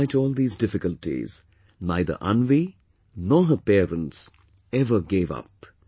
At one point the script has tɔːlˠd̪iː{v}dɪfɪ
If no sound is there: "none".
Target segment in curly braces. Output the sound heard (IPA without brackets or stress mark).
z